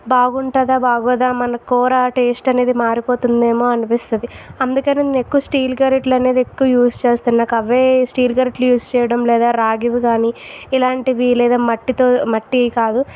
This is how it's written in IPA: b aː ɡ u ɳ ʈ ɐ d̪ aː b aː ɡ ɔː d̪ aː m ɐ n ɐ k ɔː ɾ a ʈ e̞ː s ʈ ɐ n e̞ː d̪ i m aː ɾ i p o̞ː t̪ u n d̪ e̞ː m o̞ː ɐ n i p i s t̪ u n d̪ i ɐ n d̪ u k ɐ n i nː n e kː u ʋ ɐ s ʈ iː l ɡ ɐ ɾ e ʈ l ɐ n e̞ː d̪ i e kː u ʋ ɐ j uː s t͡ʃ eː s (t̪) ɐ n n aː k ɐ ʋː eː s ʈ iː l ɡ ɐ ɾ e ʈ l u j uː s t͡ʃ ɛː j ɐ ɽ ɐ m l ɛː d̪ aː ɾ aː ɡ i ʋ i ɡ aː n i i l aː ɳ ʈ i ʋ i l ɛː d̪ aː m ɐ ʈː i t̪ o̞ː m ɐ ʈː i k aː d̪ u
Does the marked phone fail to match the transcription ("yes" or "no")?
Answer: no